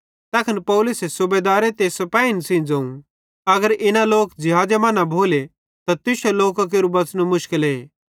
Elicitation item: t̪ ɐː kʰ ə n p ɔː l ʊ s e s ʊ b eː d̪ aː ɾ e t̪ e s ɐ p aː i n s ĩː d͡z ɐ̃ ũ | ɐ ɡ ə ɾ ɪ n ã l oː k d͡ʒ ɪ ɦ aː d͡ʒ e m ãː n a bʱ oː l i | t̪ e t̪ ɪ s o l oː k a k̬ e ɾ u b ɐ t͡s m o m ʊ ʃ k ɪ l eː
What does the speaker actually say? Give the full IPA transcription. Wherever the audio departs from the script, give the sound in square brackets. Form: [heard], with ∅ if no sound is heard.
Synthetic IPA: t̪ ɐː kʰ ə n p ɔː l ʊ s e s ʊ b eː d̪ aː ɾ e t̪ e s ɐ p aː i n s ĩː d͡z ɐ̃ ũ | ɐ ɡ ə ɾ ɪ n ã l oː k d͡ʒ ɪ ɦ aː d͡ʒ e m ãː n a bʱ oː l [e] | t̪ [a] t̪ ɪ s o l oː k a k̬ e ɾ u b ɐ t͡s [n] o m ʊ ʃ k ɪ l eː